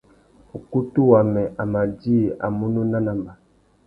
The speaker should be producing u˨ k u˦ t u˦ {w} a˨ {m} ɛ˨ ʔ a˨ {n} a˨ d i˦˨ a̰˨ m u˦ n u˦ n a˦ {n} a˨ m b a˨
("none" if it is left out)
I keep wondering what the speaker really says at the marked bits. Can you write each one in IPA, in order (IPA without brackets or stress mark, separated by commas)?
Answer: w, m, m, n